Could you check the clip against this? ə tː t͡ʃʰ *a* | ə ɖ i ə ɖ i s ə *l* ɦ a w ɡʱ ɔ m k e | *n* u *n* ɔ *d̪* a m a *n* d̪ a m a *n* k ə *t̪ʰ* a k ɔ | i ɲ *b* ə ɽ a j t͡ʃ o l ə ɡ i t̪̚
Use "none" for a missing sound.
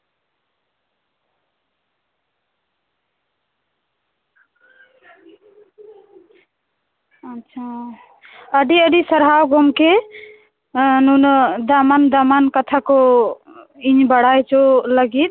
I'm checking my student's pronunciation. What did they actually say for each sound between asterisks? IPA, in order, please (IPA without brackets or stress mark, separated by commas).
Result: a, ɾ, n, n, d̪, n, n, t̪ʰ, b